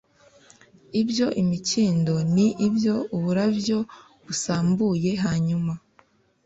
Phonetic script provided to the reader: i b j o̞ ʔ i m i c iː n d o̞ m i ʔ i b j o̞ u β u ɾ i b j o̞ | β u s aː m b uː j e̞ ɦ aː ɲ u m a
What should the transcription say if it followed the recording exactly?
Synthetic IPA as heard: i b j o̞ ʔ i m i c iː n d o̞ n i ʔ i b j o̞ u β u ɾ a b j o̞ | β u s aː m b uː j e̞ ɦ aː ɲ u m a